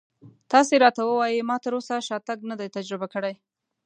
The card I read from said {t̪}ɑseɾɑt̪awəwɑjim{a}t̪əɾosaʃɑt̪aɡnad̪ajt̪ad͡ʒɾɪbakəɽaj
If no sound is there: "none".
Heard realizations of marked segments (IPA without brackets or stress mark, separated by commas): t̪, ɑ